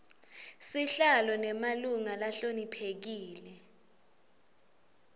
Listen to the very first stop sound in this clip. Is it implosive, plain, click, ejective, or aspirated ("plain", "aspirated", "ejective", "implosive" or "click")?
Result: aspirated